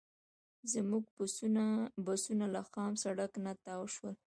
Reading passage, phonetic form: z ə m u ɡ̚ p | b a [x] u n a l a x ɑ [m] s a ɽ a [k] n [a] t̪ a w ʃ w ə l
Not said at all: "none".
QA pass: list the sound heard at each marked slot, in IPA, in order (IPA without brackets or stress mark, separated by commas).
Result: s, m, k, a